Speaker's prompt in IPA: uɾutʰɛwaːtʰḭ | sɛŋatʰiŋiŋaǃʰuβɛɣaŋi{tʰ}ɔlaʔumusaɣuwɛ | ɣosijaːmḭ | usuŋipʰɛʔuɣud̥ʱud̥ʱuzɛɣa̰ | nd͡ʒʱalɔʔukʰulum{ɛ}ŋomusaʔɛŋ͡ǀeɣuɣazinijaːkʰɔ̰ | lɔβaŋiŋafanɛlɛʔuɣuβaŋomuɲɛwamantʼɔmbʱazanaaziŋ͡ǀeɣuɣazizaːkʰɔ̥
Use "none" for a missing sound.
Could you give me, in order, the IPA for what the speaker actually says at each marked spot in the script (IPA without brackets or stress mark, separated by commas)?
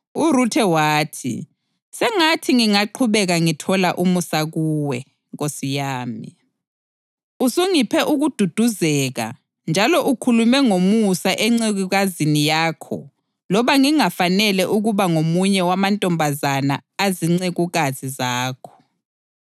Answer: tʰ, ɛ